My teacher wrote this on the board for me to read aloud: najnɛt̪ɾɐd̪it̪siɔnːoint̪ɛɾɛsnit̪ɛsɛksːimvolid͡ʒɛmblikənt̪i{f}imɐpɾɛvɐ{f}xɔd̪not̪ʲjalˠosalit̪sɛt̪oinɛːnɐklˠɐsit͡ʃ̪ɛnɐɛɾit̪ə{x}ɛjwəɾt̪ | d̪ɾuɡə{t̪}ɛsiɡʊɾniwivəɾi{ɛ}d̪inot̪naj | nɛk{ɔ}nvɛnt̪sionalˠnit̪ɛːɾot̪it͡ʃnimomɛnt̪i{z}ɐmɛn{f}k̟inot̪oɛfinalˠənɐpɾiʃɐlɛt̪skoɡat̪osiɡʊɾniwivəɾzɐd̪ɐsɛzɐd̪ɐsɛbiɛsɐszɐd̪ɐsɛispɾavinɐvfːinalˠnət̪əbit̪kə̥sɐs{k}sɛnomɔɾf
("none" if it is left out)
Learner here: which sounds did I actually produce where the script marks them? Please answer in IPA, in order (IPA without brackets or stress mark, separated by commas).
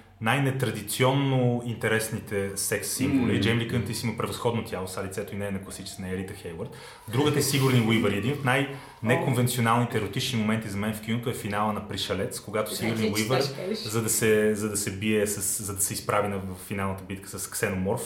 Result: s, s, x, t̪, ɛ, o, z, f, k